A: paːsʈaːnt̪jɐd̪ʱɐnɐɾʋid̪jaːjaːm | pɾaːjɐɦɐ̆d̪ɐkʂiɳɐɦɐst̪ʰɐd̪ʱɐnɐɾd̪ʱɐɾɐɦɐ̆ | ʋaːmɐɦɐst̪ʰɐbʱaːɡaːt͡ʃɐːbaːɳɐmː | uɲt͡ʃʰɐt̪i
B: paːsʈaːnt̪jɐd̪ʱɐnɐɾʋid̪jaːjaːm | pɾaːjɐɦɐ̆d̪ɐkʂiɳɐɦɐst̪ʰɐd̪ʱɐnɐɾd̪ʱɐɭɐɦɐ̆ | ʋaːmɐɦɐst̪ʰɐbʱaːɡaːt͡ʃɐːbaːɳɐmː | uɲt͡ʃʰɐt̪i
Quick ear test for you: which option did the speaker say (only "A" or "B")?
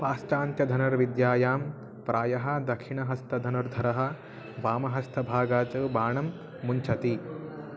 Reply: A